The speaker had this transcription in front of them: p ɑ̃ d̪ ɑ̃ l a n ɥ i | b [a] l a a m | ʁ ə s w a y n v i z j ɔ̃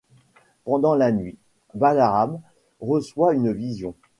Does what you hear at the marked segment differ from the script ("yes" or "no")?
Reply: no